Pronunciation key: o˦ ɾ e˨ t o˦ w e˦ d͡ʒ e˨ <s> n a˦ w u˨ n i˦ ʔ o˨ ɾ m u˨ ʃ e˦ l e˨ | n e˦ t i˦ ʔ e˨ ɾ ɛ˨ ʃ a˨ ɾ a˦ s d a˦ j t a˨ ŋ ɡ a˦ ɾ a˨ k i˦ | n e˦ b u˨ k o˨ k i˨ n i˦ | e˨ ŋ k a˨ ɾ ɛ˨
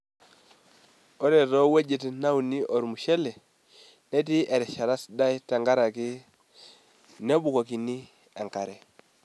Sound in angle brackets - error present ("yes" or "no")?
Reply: yes